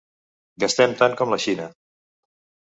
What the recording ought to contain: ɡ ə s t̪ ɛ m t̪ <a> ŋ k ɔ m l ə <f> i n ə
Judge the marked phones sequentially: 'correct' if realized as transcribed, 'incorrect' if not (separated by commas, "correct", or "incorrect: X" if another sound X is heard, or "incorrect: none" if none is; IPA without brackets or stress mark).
correct, incorrect: ʃ